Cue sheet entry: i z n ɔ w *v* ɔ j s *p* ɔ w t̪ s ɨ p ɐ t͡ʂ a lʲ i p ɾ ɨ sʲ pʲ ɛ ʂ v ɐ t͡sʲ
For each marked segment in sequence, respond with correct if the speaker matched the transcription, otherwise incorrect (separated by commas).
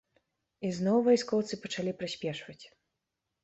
correct, incorrect